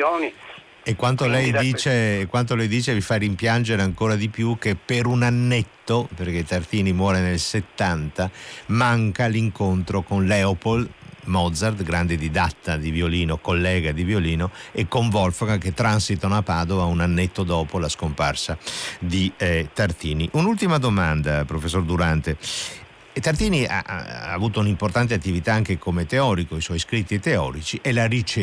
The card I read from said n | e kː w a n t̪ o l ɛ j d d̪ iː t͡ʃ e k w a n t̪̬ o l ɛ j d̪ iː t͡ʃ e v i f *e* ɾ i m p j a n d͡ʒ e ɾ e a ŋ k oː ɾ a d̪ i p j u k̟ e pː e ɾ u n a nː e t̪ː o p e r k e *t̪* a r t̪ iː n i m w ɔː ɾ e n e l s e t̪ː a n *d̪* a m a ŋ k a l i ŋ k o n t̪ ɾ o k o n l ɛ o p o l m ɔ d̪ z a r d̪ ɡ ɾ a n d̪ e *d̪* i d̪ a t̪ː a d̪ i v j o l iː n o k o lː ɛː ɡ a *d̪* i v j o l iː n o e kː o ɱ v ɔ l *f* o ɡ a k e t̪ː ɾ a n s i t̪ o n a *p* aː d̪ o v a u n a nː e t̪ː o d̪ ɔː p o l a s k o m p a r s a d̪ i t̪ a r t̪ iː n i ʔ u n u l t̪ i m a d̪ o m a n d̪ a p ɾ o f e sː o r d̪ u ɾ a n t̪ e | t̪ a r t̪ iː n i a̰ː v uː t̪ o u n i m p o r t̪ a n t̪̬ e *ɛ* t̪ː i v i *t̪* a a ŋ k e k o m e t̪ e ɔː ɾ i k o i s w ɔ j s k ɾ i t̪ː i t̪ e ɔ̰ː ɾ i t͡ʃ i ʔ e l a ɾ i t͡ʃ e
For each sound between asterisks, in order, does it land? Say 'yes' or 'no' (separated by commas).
no, yes, no, yes, yes, yes, yes, no, yes